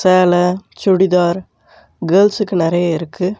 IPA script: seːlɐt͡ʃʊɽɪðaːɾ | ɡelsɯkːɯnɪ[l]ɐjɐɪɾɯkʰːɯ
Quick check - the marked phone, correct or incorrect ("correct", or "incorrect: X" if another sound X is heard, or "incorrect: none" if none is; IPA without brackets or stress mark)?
incorrect: ɾ